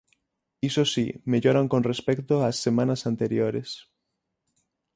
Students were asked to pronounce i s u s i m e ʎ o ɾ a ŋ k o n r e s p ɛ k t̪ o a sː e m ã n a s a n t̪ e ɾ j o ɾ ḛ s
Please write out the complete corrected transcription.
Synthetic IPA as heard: i s o s i m e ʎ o ɾ a ŋ k o n r e s p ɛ k t̪ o a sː e m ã n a s a n t̪ e ɾ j o ɾ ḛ s